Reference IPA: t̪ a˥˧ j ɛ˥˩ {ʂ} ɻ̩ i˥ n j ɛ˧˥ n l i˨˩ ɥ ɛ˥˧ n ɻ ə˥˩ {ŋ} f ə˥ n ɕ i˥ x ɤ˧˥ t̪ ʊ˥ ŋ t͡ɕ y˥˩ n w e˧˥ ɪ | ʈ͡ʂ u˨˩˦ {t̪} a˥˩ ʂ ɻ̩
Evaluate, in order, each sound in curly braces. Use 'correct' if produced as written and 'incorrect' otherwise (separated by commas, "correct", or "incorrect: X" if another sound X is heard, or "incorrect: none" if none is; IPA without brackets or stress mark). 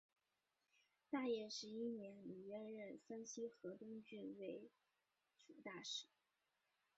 correct, incorrect: n, correct